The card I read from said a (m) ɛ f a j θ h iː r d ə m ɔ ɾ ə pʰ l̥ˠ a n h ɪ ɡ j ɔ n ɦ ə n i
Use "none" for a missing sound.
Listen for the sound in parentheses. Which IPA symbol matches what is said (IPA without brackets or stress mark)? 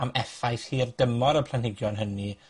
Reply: m